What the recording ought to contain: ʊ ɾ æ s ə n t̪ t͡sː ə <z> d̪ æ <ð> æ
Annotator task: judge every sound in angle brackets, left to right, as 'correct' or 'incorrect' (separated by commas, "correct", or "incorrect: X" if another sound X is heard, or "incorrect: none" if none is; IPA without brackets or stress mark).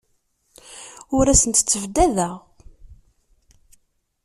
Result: incorrect: v, correct